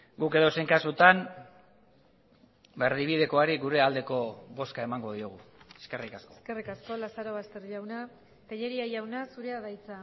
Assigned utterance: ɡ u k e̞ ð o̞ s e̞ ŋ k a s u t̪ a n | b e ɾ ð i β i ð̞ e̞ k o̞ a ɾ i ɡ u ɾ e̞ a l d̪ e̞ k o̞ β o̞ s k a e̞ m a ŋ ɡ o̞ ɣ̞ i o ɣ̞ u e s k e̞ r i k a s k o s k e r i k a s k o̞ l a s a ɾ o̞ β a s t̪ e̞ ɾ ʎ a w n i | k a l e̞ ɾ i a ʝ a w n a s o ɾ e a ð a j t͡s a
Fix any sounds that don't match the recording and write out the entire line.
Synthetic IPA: ɡ u k e̞ ð o̞ s e̞ ŋ k a s u t̪ a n | b e ɾ ð i β i ð̞ e̞ k o̞ a ɾ i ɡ u ɾ e̞ a l d̪ e̞ k o̞ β o̞ s k a e̞ m a ŋ ɡ o̞ ð̞ i o ɣ̞ u e s k e̞ r i k a s k o s k e r i k a s k o̞ l a s a ɾ o̞ β a s t̪ e̞ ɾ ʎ a w n a | k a ʎ e̞ ɾ i a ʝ a w n a s u ɾ e a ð a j t͡s a

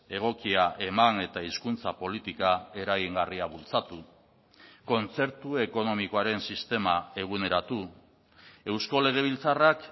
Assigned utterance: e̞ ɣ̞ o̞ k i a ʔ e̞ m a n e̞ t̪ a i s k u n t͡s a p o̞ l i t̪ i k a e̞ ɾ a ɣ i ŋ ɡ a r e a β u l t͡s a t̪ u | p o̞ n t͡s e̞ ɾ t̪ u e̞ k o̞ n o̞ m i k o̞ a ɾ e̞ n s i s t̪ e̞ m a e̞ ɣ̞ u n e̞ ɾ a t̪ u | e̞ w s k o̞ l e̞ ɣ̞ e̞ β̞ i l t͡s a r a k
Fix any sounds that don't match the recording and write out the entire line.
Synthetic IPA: e̞ ɣ̞ o̞ k i a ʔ e̞ m a n e̞ t̪ a i s k u n t͡s a p o̞ l i t̪ i k a e̞ ɾ a ɣ i ŋ ɡ a r i a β u l t͡s a t̪ u | k o̞ n t͡s e̞ ɾ t̪ u e̞ k o̞ n o̞ m i k o̞ a ɾ e̞ n s i s t̪ e̞ m a e̞ ɣ̞ u n e̞ ɾ a t̪ u | e̞ w s k o̞ l e̞ ɣ̞ e̞ β̞ i l t͡s a r a k

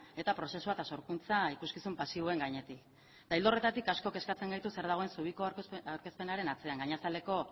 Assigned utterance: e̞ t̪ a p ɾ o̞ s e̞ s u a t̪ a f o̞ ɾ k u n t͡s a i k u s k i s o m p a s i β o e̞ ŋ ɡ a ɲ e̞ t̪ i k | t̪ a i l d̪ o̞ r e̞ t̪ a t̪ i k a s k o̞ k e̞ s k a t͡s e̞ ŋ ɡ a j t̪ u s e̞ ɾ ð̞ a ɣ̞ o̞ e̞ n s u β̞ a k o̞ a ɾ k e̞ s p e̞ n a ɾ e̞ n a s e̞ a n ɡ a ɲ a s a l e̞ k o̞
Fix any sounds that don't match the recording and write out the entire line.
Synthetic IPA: e̞ t̪ a p ɾ o̞ s e̞ s u a t̪ a s o̞ ɾ k u n t͡s a i k u s k i s u m p a s i β o e̞ ŋ ɡ a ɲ e̞ t̪ i k | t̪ a i l d̪ o̞ r e̞ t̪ a t̪ i k a s k o̞ k e̞ s k a t͡s e̞ ŋ ɡ a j t̪ u s e̞ ɾ ð̞ a ɣ̞ o̞ e̞ n s u β̞ i k o̞ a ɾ k e̞ s p e̞ n a ɾ e̞ n a t͡s e̞ a ŋ ɡ a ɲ a s a l e̞ k o̞

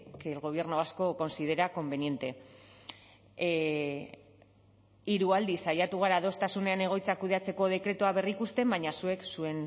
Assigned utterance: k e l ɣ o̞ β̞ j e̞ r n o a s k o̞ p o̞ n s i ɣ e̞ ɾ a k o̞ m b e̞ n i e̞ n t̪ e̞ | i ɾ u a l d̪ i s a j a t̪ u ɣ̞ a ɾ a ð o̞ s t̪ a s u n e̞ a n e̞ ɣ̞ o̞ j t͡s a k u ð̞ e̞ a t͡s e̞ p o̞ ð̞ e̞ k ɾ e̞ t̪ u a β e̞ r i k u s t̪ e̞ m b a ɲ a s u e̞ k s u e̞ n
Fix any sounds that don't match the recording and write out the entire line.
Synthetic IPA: k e l ɣ o̞ β̞ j e̞ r n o a s k o̞ k o̞ n s i ð e̞ ɾ a k o̞ m b e̞ n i e̞ n t̪ e̞ | i ɾ u a l d̪ i s a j a t̪ u ɣ̞ a ɾ a ð o̞ s t̪ a s u n e̞ a n e̞ ɣ̞ o̞ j t͡s a k u ð̞ e̞ a t͡s e̞ k o̞ ð̞ e̞ k ɾ e̞ t̪ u a β e̞ r i k u s t̪ e̞ m b a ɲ a s u e̞ k s u e̞ n

